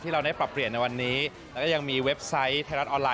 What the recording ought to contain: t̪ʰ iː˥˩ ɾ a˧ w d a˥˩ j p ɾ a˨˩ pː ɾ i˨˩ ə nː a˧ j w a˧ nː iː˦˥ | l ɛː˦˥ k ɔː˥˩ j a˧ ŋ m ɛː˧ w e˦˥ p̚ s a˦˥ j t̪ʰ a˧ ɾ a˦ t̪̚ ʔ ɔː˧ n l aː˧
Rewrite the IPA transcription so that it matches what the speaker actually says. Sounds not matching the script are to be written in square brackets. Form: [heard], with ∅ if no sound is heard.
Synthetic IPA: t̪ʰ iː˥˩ ɾ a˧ w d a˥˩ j p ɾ a˨˩ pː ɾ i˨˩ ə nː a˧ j w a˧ nː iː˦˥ | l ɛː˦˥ k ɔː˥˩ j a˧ ŋ m [iː˧] w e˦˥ p̚ s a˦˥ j t̪ʰ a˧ ɾ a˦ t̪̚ ʔ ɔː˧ n l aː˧